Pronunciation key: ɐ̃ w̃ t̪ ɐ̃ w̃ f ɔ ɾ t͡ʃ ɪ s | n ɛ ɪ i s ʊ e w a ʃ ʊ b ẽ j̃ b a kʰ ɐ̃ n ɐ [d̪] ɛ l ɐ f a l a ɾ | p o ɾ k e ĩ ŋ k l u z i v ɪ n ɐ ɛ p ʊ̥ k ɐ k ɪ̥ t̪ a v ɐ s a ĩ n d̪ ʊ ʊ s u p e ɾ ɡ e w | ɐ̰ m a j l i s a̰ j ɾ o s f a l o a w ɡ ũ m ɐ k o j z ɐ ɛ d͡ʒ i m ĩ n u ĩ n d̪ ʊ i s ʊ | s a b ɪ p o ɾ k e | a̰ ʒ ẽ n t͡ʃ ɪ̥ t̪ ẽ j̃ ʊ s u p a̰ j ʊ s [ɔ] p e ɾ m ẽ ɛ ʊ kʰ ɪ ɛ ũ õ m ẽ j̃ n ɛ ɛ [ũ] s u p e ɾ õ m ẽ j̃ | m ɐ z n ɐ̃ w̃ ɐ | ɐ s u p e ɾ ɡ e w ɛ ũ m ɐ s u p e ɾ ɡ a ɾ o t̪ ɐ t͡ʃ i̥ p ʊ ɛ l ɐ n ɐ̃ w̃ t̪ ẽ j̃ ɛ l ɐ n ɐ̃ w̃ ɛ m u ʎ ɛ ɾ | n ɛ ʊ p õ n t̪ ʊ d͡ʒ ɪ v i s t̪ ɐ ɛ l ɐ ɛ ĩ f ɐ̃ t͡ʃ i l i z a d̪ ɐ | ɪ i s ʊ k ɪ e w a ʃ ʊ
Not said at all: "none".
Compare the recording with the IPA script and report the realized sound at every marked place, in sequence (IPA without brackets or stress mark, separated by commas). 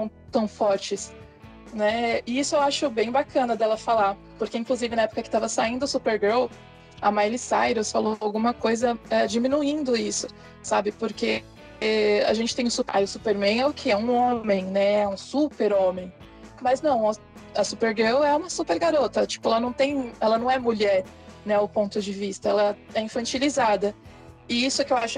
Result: d̪, u, ũ